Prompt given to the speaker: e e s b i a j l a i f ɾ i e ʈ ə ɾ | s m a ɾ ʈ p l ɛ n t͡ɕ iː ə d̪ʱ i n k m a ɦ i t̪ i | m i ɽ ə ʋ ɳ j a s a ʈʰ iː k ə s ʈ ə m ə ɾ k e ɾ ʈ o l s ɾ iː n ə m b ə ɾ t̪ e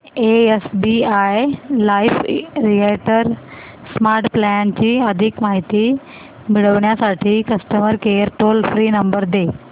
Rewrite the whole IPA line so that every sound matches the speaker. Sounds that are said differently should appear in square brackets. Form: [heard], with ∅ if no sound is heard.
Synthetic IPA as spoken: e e s b i a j l a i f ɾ i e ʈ ə ɾ | s m a ɾ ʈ p l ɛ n t͡ɕ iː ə d̪ʱ i [∅] k m a ɦ i t̪ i | m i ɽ ə ʋ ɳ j a s a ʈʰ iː k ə s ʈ ə m ə ɾ k e ɾ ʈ o l [f] ɾ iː n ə m b ə ɾ [d̪] e